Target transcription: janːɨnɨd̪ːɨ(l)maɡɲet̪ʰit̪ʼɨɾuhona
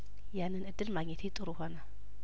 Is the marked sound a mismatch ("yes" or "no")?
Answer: no